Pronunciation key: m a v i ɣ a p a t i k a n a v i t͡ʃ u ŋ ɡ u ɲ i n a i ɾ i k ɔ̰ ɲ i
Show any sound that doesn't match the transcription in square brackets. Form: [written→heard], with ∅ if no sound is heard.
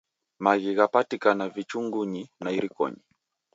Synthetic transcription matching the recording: m a [v→ɣ] i ɣ a p a t i k a n a v i t͡ʃ u ŋ ɡ u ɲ i n a i ɾ i k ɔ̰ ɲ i